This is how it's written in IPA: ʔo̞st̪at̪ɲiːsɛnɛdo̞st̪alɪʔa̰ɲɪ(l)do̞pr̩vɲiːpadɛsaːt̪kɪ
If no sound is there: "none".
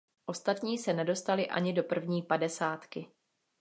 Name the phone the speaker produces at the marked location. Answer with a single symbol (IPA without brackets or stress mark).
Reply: none